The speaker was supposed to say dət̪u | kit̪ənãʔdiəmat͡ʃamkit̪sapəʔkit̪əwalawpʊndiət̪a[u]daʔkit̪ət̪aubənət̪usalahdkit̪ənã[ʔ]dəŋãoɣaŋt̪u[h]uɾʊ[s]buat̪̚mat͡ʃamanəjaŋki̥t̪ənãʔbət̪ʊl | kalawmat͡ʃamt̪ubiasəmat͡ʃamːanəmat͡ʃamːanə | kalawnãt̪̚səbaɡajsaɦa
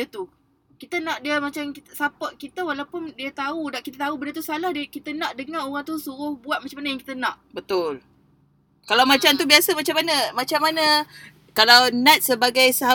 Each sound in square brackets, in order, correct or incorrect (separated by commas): correct, correct, incorrect, incorrect